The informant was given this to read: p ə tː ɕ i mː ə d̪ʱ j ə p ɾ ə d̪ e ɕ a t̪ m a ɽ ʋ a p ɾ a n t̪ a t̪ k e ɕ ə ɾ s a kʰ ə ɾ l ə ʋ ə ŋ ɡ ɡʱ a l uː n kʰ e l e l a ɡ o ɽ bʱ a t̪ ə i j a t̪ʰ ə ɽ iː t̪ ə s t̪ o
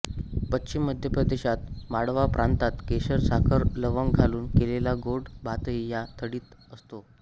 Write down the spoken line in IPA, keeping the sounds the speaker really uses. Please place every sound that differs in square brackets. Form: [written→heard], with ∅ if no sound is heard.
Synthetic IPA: p ə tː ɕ i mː ə d̪ʱ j ə p ɾ ə d̪ e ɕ a t̪ m a ɽ ʋ a p ɾ a n t̪ a t̪ k e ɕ ə ɾ s a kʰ ə ɾ l ə ʋ ə ŋ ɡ ɡʱ a l uː n [kʰ→k] e l e l a ɡ o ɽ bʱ a t̪ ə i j a t̪ʰ ə ɽ iː t̪ ə s t̪ o